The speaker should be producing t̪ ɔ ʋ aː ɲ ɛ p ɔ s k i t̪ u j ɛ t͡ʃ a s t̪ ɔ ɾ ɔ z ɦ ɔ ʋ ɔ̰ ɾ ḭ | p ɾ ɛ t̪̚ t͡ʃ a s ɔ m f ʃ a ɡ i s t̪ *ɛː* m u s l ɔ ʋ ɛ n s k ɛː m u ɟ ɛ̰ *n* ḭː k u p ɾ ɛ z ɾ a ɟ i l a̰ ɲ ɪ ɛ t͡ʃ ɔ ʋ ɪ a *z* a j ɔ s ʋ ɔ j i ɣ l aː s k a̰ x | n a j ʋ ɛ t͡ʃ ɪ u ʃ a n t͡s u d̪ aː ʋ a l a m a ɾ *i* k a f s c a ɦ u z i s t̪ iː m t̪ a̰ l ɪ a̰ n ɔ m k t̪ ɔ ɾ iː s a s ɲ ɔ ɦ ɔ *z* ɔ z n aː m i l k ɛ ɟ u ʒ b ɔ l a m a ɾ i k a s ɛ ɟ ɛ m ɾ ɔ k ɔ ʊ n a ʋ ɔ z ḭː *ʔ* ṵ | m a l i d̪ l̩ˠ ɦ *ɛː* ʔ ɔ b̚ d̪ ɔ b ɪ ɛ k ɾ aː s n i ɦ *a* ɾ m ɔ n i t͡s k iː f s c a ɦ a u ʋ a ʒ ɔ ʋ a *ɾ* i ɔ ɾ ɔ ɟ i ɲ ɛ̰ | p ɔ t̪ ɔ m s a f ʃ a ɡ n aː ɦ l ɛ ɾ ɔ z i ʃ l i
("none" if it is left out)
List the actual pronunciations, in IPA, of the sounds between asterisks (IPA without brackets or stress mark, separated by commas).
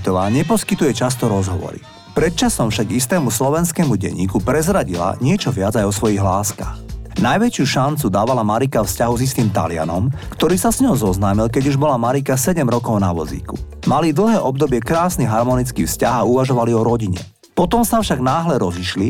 ɛː, ɲ, d͡z, i, z, k, ɛː, a, l